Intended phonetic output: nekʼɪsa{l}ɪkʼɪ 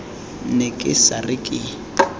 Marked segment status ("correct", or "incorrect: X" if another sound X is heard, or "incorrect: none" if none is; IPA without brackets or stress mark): incorrect: r